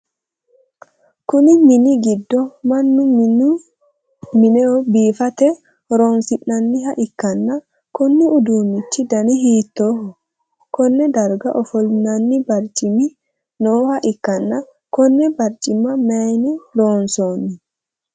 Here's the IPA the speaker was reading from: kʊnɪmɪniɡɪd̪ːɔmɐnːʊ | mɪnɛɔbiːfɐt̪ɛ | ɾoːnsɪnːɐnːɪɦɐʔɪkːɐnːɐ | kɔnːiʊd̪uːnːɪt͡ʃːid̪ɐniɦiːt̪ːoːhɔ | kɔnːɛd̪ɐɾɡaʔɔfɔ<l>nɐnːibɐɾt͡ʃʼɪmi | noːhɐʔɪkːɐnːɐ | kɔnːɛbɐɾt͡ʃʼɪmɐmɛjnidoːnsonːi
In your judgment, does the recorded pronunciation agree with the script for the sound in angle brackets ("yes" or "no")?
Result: yes